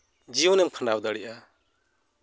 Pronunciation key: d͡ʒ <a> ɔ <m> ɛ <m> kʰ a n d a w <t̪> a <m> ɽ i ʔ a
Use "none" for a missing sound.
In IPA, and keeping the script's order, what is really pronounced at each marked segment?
i, n, m, d̪, none

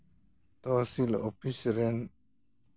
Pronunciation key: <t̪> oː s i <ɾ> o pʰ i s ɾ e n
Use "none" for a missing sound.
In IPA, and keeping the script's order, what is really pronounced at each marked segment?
t̪, l

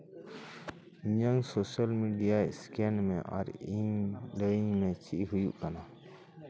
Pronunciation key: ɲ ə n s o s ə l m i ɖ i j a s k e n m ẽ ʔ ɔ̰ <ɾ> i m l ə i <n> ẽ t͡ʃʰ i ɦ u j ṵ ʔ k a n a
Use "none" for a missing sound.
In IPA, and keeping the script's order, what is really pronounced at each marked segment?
ɾ, m

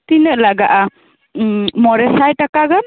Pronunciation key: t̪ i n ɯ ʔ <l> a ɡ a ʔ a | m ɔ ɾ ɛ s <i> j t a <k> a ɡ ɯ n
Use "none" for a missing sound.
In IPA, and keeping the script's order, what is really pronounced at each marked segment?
l, a, k

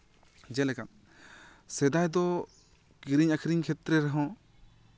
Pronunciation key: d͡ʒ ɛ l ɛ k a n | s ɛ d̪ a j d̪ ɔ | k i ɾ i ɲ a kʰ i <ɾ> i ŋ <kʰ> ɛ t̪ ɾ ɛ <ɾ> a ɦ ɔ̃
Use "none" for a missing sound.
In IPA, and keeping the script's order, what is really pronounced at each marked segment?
ɾ, kʰ, ɾ

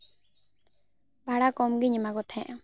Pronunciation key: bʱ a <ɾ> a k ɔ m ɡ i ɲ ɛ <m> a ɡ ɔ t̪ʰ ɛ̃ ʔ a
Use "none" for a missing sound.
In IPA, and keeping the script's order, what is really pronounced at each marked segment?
ɽ, m

